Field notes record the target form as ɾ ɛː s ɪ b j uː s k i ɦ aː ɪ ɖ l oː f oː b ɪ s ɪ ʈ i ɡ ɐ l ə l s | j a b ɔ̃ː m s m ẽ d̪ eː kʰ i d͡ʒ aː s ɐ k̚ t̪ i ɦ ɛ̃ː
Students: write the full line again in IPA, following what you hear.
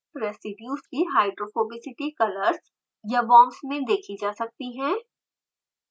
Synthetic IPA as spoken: ɾ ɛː s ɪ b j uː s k i ɦ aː ɪ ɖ ɾ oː f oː b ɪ s ɪ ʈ i k ɐ l ə ɾ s | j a b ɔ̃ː m s m ẽ d̪ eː kʰ i d͡ʒ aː s ɐ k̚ t̪ i ɦ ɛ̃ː

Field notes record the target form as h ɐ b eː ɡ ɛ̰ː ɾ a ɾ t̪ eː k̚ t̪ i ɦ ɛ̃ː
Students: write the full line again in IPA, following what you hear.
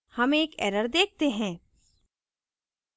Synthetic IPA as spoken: h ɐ m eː k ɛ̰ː ɾ ə ɾ d̪ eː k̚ t̪ e ɦ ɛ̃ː

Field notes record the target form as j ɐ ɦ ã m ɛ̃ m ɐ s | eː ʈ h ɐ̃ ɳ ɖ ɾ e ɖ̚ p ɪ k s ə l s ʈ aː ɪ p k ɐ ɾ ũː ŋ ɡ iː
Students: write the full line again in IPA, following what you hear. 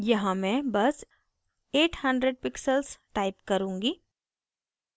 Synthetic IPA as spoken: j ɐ ɦ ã m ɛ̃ b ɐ s | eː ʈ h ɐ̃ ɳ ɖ ɾ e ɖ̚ p ɪ k s ə l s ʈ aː ɪ p k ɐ ɾ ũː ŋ ɡ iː

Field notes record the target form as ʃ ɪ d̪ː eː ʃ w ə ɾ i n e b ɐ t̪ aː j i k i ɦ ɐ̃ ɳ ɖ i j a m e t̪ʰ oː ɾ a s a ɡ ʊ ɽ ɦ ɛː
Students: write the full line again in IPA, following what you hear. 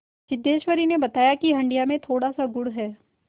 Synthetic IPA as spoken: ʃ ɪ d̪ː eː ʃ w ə ɾ i n e b ɐ t̪ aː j a k i ɦ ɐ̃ ɳ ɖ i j a m ẽ t̪ʰ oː ɽ a s a ɡ ʊ ɽ ɦ ɛː

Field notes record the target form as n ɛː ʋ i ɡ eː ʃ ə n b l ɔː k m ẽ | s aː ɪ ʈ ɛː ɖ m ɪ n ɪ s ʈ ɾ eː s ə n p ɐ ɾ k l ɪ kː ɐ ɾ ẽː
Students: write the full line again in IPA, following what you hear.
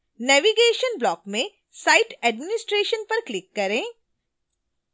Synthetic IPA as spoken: n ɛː ʋ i ɡ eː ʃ ə n b l ɔː k m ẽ | s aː ɪ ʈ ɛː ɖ m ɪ n ɪ s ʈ ɾ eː ʃ ə n p ɐ ɾ k l ɪ kː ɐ ɾ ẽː

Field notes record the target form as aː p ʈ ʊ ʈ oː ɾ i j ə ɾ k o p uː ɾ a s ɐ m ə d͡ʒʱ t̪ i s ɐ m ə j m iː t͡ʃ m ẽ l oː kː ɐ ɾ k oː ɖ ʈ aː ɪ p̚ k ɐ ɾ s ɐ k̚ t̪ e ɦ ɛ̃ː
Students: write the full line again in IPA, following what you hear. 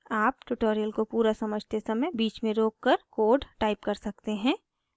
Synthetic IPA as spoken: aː p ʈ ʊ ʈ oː ɾ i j ə l k o p uː ɾ a s ɐ m ə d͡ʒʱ t̪ e s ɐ m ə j b iː t͡ʃ m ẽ ɾ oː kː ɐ ɾ k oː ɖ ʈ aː ɪ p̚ k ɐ ɾ s ɐ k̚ t̪ e ɦ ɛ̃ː

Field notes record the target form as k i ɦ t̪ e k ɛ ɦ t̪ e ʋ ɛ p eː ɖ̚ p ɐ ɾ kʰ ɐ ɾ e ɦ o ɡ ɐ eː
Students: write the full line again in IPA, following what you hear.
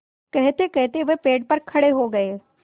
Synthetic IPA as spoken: k ɛ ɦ t̪ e k ɛ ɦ t̪ e ʋ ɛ p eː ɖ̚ p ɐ ɾ kʰ ɐ ɽ e ɦ o ɡ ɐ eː

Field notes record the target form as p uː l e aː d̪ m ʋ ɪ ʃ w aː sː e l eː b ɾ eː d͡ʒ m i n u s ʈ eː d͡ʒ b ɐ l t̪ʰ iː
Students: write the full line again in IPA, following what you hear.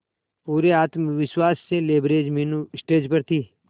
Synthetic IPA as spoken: p uː ɾ e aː t̪ m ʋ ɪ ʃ w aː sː e l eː b ɾ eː d͡ʒ m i n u s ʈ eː d͡ʒ p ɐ ɾ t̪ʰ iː

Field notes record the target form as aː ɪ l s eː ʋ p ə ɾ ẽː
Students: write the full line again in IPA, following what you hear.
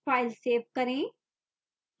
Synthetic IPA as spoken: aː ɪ l s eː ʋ k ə ɾ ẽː

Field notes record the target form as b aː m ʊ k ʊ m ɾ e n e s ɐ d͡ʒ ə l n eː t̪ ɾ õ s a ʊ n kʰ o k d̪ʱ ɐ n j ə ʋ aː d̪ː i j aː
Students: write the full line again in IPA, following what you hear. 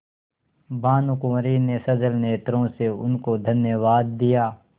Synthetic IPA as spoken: b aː n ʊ k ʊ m ɾ i n e s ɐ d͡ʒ ə l n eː t̪ ɾ õ s e ʊ n k o d̪ʱ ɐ n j ə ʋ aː d̪ː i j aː

